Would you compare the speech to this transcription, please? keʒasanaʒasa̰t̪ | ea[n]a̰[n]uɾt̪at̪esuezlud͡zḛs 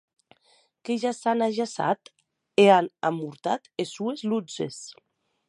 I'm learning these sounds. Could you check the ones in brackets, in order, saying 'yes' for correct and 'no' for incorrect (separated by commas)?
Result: yes, no